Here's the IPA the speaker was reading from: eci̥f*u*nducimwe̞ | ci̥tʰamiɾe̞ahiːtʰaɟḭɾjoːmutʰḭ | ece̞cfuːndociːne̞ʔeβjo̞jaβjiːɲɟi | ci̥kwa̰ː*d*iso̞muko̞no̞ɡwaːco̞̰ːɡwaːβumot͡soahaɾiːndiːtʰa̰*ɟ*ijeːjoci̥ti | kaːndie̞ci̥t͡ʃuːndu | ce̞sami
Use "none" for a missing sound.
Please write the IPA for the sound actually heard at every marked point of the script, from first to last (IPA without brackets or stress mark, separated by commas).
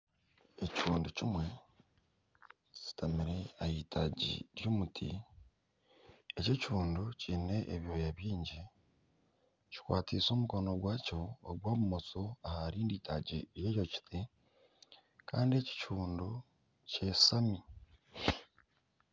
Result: uː, t, ɟ